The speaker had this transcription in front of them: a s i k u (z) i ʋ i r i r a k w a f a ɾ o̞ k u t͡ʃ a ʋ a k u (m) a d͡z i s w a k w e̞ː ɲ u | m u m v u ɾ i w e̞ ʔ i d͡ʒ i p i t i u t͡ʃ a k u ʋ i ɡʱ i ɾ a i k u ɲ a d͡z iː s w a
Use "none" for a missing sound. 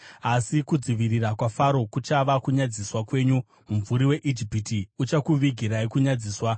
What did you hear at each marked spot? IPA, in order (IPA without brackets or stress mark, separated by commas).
d͡z, ɲ